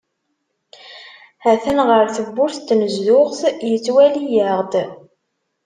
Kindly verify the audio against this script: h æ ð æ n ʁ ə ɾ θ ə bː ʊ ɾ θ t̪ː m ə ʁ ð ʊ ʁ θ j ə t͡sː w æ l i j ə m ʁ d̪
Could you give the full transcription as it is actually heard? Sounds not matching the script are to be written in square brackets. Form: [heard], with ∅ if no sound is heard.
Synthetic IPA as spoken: h æ [θ] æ n ʁ ə ɾ θ ə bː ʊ ɾ θ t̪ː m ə [z] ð ʊ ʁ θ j ə t͡sː w æ l i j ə [∅] ʁ d̪